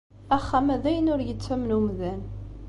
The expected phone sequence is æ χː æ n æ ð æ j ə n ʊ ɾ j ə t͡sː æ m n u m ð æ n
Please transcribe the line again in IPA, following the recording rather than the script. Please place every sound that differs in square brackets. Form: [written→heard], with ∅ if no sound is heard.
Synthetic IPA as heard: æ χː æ [n→m] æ ð æ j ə n ʊ ɾ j ə t͡sː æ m n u m ð æ n